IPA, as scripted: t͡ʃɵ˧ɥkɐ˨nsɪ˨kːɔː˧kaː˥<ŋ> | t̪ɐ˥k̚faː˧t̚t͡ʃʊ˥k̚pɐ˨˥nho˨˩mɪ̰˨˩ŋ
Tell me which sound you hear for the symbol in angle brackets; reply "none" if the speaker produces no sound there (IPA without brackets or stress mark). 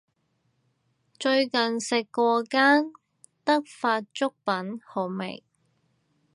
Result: n